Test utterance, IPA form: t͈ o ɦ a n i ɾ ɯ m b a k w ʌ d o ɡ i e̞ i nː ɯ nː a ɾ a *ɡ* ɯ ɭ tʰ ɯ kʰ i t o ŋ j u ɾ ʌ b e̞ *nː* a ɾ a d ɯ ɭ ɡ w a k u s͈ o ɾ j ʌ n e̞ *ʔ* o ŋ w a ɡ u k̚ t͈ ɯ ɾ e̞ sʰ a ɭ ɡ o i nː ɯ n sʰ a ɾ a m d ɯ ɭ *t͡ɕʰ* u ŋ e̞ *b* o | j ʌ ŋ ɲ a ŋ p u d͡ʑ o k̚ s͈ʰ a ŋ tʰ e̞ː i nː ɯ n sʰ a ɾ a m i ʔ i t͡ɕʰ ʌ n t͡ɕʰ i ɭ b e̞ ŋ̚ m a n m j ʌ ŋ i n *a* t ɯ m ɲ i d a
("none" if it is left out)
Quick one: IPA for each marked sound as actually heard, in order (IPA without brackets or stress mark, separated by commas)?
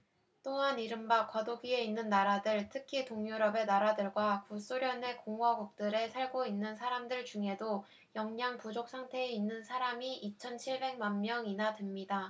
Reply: d, n, k, t͡ɕ, d, a